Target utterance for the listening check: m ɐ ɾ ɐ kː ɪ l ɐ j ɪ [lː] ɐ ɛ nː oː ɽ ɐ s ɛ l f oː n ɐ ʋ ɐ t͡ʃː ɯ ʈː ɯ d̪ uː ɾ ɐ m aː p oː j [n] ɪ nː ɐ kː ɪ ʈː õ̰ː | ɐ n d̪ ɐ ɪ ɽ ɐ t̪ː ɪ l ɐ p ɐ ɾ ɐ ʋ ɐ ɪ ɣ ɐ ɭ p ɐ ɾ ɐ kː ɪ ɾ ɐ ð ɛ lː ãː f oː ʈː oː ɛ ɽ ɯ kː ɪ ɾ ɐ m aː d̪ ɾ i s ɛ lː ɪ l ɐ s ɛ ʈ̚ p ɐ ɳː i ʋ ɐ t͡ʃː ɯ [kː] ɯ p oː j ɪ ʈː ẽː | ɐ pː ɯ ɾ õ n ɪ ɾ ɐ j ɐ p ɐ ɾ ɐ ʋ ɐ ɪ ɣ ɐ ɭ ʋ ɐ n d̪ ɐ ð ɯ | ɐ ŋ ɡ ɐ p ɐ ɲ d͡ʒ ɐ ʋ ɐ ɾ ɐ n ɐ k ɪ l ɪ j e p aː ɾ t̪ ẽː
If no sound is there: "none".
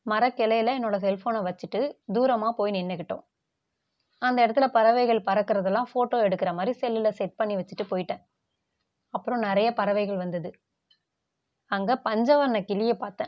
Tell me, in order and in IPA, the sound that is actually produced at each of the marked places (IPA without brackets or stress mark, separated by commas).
l, n, ʈː